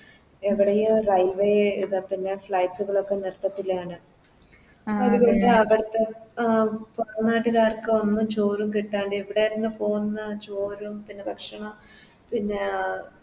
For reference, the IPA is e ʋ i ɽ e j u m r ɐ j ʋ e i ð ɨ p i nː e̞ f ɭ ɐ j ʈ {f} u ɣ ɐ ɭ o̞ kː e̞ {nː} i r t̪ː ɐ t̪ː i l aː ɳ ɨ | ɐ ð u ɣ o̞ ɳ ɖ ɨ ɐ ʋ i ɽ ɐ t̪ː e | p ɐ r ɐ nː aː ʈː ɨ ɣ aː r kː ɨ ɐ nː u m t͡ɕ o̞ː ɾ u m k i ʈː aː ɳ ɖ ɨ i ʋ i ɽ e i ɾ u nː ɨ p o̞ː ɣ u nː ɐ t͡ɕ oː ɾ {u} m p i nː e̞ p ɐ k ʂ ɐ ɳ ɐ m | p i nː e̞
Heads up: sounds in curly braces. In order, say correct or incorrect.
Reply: incorrect, incorrect, correct

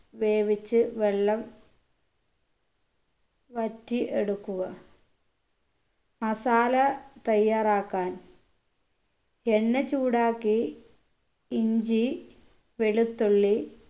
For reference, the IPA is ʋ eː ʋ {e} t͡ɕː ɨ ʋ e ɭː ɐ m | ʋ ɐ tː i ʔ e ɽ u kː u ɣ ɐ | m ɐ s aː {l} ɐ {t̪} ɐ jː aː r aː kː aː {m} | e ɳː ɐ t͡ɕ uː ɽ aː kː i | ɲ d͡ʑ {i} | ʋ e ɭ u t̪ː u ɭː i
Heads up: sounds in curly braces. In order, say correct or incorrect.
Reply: incorrect, correct, correct, incorrect, correct

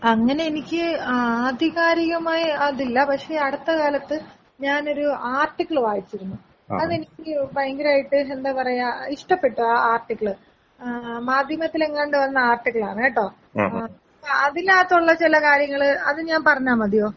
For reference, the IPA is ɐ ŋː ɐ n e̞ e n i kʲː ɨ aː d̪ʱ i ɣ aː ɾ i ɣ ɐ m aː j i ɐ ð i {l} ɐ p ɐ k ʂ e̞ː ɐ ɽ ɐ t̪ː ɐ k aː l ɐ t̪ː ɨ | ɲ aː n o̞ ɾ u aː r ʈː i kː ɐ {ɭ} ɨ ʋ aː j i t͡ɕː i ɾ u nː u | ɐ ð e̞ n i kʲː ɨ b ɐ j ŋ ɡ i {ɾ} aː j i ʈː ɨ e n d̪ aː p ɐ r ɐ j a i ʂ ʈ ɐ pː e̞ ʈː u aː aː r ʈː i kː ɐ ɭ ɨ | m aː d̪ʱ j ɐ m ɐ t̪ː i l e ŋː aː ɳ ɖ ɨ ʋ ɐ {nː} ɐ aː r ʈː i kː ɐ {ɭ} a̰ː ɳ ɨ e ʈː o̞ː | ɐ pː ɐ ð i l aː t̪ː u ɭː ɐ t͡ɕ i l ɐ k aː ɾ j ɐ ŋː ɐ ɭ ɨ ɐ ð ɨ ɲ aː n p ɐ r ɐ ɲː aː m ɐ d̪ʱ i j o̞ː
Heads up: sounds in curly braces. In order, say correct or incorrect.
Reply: incorrect, correct, correct, correct, correct

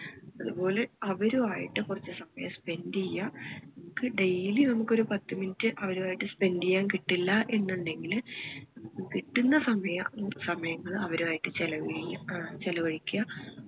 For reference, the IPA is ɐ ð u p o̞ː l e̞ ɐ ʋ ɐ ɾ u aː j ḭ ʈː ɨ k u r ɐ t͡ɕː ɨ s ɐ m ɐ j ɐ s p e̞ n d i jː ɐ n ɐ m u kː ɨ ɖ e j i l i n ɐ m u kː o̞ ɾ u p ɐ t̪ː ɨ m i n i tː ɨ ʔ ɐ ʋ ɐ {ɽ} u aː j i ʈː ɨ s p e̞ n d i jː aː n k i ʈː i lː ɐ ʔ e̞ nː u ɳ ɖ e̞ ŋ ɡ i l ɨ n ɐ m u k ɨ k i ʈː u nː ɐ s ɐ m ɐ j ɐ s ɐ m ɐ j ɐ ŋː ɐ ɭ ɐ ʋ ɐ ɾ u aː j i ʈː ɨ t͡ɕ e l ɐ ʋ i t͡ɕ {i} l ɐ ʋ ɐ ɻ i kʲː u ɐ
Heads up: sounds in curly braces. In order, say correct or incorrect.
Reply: incorrect, incorrect

